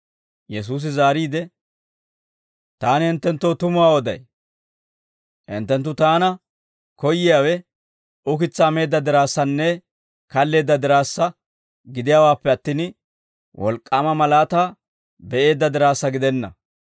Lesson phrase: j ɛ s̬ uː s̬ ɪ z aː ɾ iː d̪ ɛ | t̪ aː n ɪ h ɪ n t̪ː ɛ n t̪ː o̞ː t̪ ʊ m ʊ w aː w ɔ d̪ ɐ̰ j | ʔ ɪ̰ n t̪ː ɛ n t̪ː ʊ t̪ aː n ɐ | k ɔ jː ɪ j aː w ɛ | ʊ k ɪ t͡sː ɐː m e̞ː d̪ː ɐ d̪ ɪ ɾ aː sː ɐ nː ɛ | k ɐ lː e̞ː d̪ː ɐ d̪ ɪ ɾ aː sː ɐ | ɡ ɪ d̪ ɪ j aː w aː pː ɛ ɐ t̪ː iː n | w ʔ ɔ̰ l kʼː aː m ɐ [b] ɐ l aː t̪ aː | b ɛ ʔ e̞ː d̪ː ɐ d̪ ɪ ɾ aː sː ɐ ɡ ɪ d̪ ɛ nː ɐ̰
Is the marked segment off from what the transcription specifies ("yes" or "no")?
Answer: yes